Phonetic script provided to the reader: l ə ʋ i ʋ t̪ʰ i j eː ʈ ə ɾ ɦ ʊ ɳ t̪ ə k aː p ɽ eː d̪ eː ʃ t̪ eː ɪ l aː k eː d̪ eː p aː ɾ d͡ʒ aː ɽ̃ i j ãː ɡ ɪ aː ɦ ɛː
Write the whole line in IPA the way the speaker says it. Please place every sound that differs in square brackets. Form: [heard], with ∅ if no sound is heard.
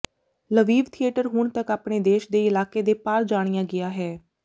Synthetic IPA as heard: l ə ʋ [iː] ʋ t̪ʰ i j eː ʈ ə ɾ ɦ ʊ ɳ t̪ ə k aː p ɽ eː d̪ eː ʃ [d̪] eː ɪ l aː k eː d̪ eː p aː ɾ d͡ʒ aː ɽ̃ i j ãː ɡ ɪ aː ɦ ɛː